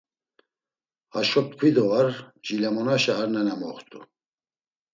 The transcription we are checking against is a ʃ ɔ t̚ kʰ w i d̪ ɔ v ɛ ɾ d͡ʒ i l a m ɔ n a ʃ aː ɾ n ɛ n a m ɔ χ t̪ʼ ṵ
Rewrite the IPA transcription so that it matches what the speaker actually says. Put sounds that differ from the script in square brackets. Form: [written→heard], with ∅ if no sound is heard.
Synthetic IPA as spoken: a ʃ ɔ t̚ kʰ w i d̪ ɔ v [ɛ→a] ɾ d͡ʒ i l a m ɔ n a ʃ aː ɾ n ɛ n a m ɔ χ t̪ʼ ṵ